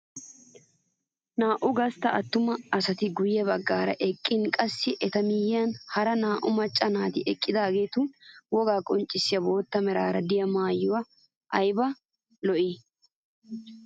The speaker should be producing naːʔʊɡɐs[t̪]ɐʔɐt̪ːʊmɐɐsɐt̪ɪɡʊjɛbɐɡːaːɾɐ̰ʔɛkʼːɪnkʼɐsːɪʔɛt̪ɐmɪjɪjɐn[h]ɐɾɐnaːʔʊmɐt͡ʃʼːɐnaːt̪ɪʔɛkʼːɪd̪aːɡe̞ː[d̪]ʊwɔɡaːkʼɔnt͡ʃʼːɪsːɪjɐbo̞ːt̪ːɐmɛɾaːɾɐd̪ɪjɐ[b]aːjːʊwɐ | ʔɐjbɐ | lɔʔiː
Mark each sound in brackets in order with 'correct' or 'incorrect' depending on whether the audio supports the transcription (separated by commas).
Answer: correct, correct, incorrect, incorrect